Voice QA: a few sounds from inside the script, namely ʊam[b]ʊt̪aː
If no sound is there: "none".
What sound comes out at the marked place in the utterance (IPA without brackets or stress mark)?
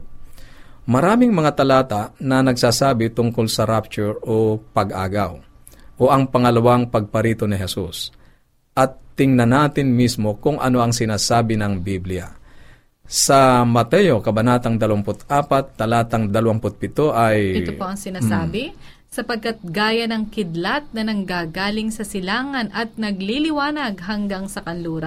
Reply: p